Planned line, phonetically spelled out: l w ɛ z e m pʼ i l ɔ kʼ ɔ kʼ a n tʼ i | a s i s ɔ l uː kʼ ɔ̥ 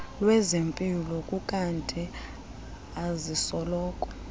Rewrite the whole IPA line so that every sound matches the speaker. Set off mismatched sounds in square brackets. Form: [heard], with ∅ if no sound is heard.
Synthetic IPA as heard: l w ɛ z e m pʼ i l ɔ kʼ [u] kʼ a n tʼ i | a [z] i s ɔ l [ɔː] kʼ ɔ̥

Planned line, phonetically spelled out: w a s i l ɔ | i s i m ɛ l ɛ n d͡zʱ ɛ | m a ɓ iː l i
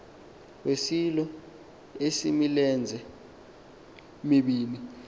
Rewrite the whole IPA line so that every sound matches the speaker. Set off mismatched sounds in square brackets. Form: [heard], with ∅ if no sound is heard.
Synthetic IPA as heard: w [e] s i l ɔ | [e] s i m [i] l ɛ n d͡zʱ ɛ | m [i] ɓ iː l i

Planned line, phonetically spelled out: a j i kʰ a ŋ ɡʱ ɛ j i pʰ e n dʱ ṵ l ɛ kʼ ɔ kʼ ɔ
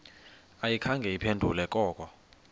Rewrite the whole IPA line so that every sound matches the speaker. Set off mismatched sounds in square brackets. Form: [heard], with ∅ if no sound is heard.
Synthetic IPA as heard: a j i kʰ a ŋ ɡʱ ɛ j i pʰ e n dʱ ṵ l ɛ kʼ [ɔː] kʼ ɔ

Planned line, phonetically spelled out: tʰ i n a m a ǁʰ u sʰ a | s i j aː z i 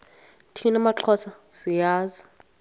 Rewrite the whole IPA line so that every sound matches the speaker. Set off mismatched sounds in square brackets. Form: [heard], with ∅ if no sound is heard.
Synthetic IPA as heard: tʰ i n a m a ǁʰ [ɔ] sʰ a | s i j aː z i

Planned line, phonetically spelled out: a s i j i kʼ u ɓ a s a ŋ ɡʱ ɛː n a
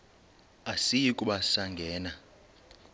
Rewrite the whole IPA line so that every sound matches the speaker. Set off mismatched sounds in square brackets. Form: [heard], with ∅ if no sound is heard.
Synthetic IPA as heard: a s i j i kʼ u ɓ a s a ŋ ɡʱ ɛː n a

